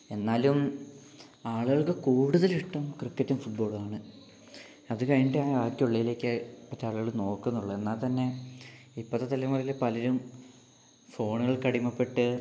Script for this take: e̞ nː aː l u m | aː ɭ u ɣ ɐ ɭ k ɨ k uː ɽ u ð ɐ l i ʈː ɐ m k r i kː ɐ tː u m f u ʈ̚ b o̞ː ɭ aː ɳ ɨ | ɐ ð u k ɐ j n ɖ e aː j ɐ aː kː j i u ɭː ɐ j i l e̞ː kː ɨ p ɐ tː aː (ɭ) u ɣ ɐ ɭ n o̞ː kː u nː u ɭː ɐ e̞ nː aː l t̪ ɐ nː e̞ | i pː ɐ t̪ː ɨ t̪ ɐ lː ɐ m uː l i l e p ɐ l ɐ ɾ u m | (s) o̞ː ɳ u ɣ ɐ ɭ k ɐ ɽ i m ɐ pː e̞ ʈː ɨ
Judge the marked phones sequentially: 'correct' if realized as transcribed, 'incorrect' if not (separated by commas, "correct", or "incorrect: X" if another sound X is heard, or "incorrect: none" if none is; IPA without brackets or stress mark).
correct, incorrect: f